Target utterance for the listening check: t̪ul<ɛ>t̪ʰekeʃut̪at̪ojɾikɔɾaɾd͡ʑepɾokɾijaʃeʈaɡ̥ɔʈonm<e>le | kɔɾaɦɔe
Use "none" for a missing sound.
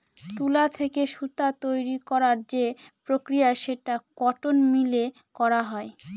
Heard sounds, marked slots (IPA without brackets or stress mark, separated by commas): a, i